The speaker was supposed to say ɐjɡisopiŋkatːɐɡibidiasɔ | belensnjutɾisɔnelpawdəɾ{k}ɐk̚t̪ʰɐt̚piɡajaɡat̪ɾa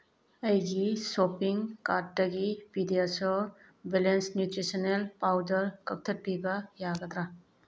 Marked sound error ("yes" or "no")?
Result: no